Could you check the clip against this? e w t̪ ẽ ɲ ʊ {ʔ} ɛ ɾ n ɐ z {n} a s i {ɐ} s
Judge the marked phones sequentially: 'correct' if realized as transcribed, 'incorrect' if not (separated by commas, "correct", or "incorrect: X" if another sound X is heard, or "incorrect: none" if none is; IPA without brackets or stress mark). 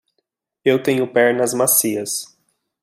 incorrect: p, incorrect: m, correct